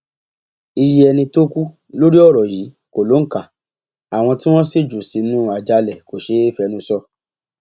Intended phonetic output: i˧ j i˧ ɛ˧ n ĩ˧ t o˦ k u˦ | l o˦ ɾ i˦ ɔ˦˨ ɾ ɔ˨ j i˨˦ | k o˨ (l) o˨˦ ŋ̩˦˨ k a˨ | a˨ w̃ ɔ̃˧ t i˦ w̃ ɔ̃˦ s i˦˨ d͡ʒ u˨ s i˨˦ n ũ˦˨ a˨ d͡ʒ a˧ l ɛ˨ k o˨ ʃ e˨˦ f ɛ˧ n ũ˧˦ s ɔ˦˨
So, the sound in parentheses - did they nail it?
yes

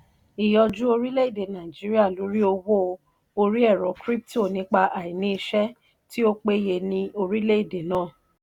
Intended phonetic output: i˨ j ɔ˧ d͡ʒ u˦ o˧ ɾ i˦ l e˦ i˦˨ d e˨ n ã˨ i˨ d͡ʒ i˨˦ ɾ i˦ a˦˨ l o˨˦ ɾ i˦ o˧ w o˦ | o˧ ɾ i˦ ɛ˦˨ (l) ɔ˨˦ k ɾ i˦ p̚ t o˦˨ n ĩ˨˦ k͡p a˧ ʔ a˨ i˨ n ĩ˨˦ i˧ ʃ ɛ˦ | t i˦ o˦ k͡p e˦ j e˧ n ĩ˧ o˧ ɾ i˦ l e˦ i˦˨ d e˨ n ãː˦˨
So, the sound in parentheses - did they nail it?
no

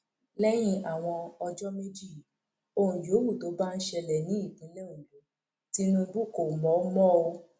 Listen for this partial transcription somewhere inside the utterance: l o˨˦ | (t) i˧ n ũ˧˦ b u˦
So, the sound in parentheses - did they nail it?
yes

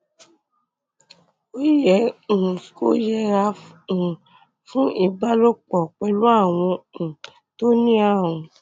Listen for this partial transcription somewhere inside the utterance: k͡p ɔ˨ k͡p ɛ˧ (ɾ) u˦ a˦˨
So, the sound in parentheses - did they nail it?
no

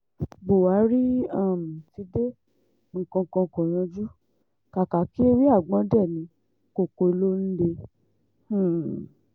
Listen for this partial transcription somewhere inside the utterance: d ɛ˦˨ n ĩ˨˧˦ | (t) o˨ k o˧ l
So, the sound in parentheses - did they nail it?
no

